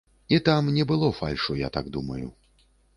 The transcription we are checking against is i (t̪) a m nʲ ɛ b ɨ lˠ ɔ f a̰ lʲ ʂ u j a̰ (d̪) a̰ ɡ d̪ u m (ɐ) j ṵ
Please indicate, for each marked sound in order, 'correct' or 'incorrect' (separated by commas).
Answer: correct, incorrect, correct